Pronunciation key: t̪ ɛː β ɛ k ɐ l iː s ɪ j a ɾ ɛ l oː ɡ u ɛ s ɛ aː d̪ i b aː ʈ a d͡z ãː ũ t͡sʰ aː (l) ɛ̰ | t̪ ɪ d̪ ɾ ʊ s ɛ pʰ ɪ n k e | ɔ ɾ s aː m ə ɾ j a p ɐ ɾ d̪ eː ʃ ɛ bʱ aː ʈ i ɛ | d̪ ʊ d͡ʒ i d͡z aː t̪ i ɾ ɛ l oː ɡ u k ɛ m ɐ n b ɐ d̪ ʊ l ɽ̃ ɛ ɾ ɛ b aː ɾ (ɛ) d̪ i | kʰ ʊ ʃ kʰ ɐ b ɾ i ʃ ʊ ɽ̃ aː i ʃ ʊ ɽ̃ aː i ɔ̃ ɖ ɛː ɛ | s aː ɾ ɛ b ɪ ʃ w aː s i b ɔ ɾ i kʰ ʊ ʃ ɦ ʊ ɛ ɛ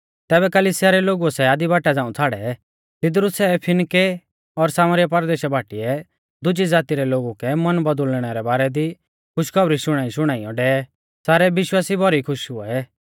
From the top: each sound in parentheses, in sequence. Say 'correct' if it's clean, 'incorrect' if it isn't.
incorrect: ɽ, correct

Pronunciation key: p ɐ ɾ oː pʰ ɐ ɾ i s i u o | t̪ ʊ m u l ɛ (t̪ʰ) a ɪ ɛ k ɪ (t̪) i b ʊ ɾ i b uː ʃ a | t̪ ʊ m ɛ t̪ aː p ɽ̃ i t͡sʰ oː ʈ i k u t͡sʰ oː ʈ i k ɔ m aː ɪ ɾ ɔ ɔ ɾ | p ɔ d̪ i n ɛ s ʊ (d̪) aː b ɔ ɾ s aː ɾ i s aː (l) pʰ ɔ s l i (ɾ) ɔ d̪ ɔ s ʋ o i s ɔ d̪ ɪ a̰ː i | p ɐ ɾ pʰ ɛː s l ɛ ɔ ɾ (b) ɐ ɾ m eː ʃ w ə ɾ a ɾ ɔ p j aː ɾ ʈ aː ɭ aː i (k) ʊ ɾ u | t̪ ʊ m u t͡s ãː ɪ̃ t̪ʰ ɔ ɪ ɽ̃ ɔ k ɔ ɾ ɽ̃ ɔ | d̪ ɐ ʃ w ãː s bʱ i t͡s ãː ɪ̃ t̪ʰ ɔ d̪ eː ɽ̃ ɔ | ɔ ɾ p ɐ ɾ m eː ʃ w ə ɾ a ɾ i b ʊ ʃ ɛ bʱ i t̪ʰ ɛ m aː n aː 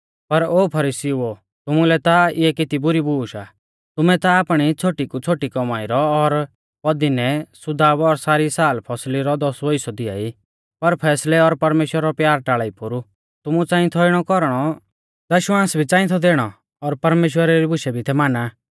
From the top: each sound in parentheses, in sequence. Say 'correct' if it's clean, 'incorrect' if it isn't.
incorrect: t̪, correct, correct, correct, correct, incorrect: p, incorrect: p

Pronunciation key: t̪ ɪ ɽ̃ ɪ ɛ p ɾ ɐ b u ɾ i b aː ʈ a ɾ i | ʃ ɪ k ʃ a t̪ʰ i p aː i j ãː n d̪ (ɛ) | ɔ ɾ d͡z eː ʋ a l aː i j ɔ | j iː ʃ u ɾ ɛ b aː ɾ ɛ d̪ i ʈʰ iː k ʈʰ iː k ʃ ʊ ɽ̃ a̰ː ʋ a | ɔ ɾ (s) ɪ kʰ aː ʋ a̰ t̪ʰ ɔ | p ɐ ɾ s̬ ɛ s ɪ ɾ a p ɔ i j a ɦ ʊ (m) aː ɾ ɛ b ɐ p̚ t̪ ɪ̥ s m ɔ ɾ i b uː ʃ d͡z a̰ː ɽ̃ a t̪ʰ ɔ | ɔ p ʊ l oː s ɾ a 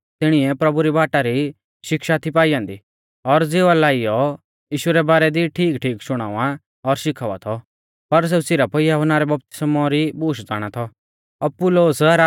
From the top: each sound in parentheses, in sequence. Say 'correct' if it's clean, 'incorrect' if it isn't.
incorrect: i, incorrect: ʃ, incorrect: n

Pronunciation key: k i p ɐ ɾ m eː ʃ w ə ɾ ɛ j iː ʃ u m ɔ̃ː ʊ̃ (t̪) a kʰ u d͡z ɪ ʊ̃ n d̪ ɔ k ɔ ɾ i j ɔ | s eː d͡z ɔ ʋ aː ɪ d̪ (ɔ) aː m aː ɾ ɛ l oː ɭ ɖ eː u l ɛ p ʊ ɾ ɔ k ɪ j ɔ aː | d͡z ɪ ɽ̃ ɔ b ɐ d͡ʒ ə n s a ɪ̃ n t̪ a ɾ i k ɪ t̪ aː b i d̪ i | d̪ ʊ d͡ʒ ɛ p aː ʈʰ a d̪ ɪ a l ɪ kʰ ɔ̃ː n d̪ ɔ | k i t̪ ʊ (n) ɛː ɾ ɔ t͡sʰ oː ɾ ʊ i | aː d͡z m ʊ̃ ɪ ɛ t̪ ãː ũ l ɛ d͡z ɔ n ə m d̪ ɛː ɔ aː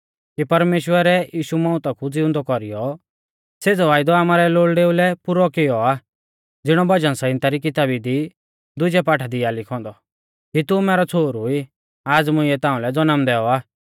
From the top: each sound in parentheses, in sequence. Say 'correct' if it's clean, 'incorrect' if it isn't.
correct, correct, incorrect: m

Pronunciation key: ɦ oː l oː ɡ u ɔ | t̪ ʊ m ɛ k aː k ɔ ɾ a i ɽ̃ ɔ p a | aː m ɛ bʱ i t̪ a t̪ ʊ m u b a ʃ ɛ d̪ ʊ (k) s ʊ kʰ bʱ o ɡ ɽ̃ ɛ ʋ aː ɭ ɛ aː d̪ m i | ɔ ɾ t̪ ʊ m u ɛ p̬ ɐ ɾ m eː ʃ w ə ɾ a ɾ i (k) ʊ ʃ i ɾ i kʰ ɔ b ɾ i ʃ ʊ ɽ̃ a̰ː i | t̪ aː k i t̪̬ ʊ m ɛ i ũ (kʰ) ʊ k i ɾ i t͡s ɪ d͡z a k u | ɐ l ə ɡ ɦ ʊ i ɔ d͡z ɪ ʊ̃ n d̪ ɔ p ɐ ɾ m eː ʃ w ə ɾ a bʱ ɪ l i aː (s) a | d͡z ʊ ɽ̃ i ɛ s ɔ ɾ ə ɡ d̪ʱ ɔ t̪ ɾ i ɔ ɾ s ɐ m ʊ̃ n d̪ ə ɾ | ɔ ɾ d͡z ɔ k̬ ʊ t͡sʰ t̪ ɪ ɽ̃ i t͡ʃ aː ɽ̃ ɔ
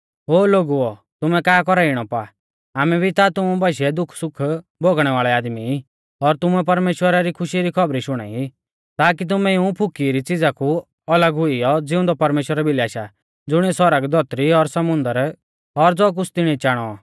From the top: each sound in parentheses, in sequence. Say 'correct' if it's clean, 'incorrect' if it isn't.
incorrect: kʰ, incorrect: kʰ, incorrect: pʰ, incorrect: ʃ

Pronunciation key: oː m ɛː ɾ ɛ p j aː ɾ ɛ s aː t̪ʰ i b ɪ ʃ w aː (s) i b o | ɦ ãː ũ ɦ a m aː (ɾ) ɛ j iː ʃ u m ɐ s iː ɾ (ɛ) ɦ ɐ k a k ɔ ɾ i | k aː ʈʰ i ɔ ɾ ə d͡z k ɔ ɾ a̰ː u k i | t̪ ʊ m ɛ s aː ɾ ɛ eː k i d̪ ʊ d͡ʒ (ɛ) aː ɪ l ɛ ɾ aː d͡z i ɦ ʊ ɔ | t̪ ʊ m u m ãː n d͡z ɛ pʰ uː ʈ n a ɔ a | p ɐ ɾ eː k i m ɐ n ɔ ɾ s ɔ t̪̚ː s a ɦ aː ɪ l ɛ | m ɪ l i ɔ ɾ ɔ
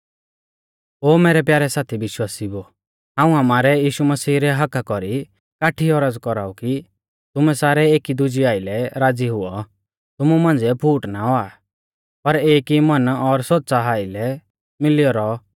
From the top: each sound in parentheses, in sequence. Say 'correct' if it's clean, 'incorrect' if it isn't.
correct, correct, correct, incorrect: i

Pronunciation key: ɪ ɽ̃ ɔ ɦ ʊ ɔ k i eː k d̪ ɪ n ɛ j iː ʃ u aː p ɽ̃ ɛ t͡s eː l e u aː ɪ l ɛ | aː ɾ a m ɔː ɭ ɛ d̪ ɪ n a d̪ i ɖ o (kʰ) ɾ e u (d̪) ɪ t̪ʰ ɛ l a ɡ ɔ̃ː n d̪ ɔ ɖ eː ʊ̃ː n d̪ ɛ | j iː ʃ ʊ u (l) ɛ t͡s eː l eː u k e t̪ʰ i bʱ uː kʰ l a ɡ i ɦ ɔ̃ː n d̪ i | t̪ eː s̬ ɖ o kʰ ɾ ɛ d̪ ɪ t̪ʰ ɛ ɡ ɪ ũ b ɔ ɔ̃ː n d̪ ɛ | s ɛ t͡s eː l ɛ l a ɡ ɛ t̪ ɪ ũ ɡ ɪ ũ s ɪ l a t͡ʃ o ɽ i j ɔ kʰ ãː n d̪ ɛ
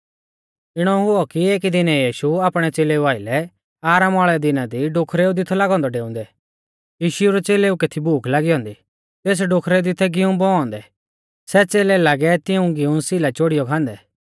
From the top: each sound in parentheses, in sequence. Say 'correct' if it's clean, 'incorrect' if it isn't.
correct, correct, incorrect: ɾ

